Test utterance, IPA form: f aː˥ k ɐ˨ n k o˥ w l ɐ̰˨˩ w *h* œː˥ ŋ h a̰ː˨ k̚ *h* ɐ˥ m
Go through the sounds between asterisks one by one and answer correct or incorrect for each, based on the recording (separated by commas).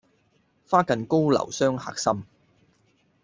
incorrect, incorrect